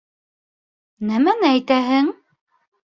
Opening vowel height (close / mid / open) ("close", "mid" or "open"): open